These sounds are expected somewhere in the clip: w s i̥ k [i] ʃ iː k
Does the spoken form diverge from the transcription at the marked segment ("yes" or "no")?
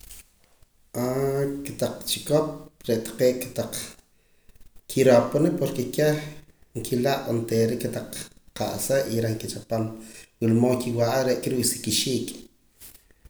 no